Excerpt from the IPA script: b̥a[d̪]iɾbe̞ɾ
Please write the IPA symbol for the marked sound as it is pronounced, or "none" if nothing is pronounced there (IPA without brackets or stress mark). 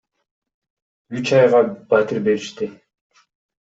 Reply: t̪